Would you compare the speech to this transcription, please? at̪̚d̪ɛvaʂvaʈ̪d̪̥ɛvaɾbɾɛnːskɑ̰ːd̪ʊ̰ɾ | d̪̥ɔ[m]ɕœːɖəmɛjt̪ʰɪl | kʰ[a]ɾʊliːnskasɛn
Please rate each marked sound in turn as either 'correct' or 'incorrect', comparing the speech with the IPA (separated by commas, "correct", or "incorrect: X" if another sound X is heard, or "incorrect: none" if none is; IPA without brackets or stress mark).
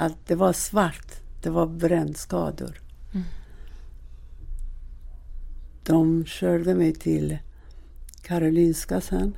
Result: correct, correct